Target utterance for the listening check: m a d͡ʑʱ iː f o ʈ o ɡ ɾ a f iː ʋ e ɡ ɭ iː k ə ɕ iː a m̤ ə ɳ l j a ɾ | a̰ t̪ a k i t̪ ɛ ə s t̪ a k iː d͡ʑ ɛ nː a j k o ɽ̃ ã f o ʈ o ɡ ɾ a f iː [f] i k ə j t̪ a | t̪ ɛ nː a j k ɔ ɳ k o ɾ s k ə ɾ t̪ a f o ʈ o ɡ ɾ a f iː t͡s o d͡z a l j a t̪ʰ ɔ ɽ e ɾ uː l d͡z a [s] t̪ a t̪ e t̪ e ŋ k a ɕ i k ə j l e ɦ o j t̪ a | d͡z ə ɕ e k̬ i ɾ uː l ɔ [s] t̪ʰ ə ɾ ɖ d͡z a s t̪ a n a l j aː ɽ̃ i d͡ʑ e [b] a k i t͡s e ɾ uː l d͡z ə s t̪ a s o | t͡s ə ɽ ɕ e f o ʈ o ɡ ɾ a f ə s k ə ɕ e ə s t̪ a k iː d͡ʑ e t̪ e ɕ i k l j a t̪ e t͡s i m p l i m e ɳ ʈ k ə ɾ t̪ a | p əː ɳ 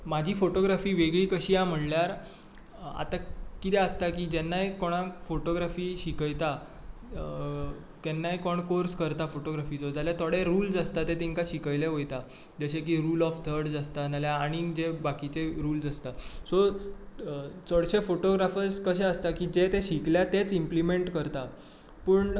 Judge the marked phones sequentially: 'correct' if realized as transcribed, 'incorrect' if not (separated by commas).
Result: incorrect, correct, incorrect, correct